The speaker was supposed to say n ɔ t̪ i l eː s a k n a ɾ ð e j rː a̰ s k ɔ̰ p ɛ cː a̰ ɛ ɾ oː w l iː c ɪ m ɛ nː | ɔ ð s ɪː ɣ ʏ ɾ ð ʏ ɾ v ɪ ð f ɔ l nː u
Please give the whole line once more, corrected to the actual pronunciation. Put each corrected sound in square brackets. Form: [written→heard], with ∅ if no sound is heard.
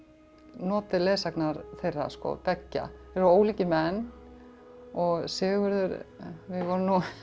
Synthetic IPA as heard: n [ɔ→ɔː] t̪ [i→ɪ] l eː s a k n a ɾ [ð→θ] e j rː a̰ s k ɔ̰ p ɛ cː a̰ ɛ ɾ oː w l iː c ɪ m ɛ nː | ɔ [ð→ɣ] s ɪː ɣ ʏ ɾ ð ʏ ɾ v ɪ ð [f→v] ɔ [l→ɾ] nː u